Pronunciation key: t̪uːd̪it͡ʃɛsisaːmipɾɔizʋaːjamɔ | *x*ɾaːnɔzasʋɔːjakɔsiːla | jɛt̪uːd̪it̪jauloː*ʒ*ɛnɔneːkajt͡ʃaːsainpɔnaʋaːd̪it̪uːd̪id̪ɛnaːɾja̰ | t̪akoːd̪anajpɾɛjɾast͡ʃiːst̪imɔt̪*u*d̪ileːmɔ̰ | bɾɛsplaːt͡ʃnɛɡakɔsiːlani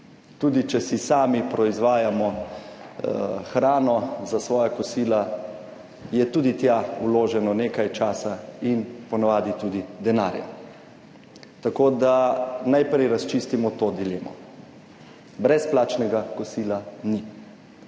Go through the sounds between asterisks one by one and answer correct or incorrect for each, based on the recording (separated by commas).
correct, correct, incorrect